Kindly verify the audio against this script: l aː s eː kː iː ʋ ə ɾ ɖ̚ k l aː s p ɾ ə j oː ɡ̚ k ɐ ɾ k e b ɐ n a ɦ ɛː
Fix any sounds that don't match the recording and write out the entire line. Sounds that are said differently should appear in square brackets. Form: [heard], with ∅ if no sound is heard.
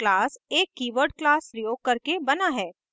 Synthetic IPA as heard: l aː s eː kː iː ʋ ə ɾ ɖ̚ k l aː s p ɾ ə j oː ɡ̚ k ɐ ɾ k e b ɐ n a ɦ ɛː

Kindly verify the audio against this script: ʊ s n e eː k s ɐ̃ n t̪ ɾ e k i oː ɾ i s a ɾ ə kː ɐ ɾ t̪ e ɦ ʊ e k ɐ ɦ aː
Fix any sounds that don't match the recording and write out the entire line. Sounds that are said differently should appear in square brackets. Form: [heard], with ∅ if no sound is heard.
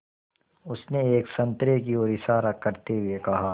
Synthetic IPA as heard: ʊ s n e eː k s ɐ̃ n t̪ ɾ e k i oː ɾ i s a ɾ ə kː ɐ ɾ t̪ e ɦ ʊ e k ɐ ɦ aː

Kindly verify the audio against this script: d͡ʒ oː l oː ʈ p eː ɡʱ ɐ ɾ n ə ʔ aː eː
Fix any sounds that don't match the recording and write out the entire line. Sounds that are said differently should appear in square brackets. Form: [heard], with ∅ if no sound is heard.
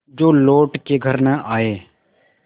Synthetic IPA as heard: d͡ʒ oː l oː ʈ [k] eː ɡʱ [ə] ɾ n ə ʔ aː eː

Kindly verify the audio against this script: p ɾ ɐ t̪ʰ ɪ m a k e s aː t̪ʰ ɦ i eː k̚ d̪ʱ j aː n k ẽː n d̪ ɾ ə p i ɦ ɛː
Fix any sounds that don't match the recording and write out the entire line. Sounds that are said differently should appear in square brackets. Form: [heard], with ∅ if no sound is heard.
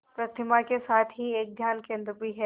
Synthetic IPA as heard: p ɾ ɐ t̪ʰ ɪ m a k e s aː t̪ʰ ɦ i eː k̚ d̪ʱ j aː n k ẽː n d̪ ɾ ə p i ɦ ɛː

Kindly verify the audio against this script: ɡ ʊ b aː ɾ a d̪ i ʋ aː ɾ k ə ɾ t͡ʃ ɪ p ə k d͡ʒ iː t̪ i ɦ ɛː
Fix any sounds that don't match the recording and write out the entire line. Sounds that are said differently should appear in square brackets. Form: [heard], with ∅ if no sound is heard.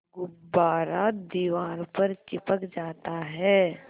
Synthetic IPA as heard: ɡ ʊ b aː ɾ a d̪ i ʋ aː ɾ [p] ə ɾ t͡ʃ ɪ p ə k d͡ʒ [aː] t̪ [a] ɦ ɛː

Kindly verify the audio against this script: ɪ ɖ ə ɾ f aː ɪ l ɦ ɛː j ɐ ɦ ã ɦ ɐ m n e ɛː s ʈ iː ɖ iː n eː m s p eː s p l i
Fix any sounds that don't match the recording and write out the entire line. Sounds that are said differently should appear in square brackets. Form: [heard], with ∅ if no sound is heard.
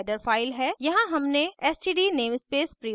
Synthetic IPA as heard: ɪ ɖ ə ɾ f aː ɪ l ɦ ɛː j ɐ ɦ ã ɦ ɐ m n e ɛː s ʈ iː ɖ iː n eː m s p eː s p [ɾ] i

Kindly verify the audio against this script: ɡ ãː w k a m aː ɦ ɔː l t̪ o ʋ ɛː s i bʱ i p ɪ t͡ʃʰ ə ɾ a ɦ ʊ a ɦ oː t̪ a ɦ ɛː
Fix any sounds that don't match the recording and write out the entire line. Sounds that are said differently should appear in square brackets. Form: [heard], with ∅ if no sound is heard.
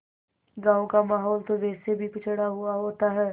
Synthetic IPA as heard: ɡ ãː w k a m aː ɦ ɔː l t̪ o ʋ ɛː s [e] bʱ i p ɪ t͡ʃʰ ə [ɽ] a ɦ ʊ a ɦ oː t̪ a ɦ ɛː

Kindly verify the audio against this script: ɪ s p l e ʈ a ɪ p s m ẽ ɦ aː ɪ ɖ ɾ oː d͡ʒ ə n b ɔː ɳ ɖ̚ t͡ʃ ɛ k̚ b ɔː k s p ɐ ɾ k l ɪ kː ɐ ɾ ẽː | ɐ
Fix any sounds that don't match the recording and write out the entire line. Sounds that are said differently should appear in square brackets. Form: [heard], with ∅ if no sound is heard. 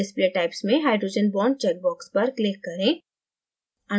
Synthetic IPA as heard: ɪ s p l e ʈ a ɪ p s m ẽ ɦ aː ɪ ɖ ɾ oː d͡ʒ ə n b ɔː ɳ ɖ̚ t͡ʃ ɛ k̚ b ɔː k s p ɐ ɾ k l ɪ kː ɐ ɾ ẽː | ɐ

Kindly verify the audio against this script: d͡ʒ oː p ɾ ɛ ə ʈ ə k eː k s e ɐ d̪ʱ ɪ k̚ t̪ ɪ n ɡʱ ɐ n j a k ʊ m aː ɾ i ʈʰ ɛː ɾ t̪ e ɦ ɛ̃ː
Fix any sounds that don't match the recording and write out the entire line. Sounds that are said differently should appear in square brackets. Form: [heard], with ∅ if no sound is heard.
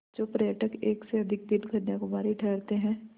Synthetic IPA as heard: d͡ʒ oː p ɾ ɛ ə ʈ ə k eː k s e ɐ d̪ʱ ɪ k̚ [d̪] ɪ n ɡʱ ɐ n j a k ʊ m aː ɾ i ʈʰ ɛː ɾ t̪ e ɦ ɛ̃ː

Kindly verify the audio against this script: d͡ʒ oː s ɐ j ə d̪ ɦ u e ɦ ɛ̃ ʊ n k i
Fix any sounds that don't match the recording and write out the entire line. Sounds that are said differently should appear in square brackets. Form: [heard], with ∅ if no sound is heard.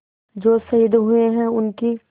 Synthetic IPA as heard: d͡ʒ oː s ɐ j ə d̪ ɦ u e ɦ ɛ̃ ʊ n k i

